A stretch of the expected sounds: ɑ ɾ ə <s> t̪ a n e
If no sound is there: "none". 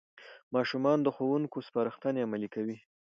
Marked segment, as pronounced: x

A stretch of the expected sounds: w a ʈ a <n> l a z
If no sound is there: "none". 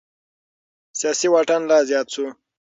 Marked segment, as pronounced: n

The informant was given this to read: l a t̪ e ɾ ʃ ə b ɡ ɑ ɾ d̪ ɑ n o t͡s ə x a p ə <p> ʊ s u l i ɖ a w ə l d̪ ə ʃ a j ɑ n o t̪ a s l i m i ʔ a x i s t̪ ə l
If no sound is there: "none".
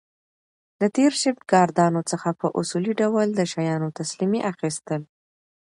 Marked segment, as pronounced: ʔ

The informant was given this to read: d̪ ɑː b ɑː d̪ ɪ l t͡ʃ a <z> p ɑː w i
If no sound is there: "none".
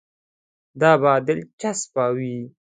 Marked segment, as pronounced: s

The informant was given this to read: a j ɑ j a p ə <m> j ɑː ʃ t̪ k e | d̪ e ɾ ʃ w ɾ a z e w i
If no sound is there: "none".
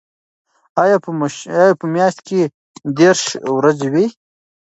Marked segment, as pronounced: m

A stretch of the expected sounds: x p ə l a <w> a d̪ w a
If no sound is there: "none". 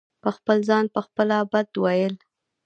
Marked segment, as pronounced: b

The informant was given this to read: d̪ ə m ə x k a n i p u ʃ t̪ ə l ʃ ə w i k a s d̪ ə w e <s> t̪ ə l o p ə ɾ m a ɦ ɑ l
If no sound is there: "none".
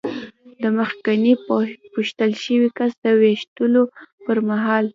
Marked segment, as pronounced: ʃ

